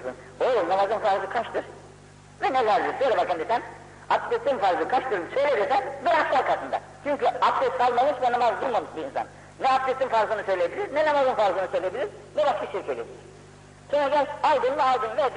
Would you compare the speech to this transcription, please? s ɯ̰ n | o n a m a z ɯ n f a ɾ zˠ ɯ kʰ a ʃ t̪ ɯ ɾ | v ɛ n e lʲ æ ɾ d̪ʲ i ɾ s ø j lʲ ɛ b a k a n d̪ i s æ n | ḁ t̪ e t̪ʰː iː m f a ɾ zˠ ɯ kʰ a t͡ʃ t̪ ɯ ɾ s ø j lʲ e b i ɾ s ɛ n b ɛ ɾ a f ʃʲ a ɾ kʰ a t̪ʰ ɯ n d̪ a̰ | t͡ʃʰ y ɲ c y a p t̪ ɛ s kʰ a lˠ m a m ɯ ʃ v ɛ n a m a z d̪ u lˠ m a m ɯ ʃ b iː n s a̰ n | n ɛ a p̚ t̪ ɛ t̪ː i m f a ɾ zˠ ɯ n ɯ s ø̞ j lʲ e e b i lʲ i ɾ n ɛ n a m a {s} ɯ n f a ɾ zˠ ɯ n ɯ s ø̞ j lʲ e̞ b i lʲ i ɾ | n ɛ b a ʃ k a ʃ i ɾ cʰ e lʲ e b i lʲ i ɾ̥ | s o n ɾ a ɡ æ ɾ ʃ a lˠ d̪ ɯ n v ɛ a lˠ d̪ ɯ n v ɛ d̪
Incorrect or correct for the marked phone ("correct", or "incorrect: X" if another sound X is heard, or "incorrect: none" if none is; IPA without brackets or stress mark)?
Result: incorrect: z